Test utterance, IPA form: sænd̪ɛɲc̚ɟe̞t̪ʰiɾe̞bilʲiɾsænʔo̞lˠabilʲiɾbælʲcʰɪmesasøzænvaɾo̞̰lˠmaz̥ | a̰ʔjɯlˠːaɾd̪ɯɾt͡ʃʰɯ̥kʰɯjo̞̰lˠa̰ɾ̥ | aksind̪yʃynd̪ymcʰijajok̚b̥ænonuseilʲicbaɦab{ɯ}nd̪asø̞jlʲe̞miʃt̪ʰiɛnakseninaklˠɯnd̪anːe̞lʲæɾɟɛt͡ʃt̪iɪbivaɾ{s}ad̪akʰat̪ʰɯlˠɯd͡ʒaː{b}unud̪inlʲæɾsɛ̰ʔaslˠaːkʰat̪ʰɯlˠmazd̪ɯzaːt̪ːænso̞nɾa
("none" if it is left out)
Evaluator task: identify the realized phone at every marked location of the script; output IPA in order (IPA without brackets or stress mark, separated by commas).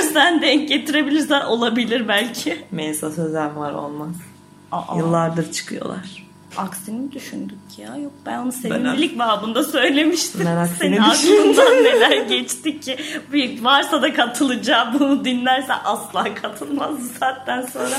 u, s, b